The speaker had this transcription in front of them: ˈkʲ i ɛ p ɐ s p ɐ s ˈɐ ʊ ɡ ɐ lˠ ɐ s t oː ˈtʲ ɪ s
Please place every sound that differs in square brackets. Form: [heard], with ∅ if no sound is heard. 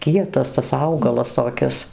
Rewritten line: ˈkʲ i ɛ [t] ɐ s [t] ɐ s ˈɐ ʊ ɡ ɐ lˠ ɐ s t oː [ˈkʲ] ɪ s